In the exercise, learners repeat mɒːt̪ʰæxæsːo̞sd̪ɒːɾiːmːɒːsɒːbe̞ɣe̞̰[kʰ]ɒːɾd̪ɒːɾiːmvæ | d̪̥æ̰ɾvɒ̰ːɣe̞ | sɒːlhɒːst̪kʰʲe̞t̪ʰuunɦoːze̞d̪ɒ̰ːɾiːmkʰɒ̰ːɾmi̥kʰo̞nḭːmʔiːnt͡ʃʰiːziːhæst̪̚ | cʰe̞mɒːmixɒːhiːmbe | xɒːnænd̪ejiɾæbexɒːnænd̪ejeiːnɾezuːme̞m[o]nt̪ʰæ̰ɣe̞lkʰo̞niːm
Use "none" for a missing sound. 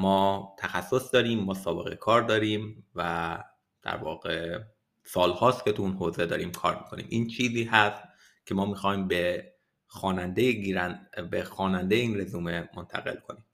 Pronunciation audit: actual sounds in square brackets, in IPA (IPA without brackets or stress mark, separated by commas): kʰ, o